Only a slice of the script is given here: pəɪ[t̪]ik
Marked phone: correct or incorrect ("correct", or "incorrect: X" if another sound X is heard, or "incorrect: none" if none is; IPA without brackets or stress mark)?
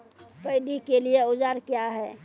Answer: incorrect: d̪